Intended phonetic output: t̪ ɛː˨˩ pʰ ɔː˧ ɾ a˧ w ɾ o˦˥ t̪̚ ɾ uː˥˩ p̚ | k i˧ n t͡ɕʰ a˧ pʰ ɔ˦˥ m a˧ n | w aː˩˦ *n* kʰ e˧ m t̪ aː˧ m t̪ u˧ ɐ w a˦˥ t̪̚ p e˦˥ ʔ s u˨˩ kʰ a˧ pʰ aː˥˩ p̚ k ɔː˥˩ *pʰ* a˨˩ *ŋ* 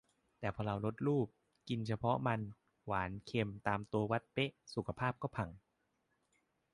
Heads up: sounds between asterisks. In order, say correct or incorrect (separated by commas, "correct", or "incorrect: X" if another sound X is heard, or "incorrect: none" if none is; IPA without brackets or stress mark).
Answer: correct, correct, correct